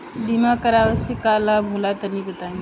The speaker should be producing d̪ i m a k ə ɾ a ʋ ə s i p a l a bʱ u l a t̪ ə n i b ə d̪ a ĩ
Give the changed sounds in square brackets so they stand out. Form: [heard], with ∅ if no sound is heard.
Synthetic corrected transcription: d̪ i m a k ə ɾ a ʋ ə s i [k] a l a bʱ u l a t̪ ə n i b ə [t̪] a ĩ